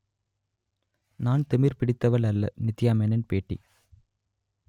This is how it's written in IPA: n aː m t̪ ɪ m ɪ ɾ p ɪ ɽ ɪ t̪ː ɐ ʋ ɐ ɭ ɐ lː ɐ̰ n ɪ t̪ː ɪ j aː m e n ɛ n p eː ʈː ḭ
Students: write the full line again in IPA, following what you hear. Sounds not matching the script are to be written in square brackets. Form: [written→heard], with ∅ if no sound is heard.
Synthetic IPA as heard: n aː [m→n] t̪ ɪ m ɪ ɾ p ɪ ɽ ɪ t̪ː ɐ ʋ ɐ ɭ ɐ lː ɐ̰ n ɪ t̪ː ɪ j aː m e n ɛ n p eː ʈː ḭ